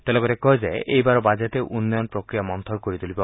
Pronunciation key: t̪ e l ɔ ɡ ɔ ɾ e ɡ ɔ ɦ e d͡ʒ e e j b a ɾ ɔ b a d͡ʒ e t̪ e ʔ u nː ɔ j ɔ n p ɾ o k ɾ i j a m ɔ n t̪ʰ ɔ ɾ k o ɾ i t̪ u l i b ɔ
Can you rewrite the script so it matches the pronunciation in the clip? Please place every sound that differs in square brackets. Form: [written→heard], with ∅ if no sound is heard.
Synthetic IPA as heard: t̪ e l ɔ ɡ ɔ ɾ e [ɡ→k] ɔ ɦ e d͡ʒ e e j b a ɾ ɔ b a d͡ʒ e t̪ e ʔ u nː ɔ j ɔ n p ɾ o k ɾ i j a m ɔ n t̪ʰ ɔ ɾ k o ɾ i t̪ u l i b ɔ